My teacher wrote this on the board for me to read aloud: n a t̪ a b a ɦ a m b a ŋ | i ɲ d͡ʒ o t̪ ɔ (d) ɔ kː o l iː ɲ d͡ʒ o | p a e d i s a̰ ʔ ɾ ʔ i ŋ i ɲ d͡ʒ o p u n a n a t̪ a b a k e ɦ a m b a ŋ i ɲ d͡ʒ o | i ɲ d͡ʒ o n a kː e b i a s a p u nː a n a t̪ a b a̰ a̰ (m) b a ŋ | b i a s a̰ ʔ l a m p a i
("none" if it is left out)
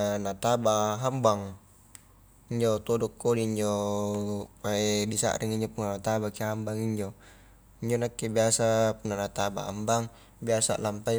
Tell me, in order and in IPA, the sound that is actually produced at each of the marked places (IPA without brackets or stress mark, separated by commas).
d, m